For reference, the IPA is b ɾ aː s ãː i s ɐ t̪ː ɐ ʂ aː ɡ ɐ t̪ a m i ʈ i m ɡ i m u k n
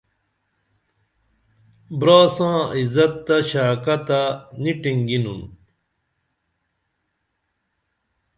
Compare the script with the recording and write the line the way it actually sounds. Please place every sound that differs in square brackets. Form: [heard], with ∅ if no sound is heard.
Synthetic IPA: b ɾ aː s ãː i [z] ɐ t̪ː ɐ [ɕ] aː [k] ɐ t̪ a [n] i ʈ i [ŋ] ɡ i [n] u [∅] n